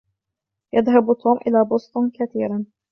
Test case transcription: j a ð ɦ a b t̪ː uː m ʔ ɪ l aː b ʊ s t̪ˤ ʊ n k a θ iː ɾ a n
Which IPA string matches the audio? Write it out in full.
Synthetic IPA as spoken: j a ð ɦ a b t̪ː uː m ʔ ɪ l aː b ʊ s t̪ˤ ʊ n k a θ iː ɾ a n